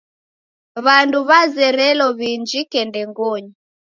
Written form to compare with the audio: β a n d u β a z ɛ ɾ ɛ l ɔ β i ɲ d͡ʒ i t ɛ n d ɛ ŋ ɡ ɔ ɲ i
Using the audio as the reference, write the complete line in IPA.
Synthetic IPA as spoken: β a n d u β a z ɛ ɾ ɛ l ɔ β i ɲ d͡ʒ i k ɛ n d ɛ ŋ ɡ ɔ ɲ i